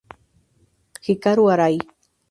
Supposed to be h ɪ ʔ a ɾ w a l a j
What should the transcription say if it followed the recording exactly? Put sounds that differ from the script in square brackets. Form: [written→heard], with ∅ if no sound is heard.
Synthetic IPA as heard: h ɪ [ʔ→k] a ɾ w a [l→ɾ] a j